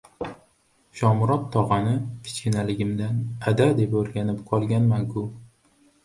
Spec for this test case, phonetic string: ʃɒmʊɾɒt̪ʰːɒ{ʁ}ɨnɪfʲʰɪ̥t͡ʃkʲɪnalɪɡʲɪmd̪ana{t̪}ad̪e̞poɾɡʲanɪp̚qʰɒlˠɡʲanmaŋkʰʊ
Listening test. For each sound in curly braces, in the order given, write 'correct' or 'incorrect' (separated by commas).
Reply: correct, incorrect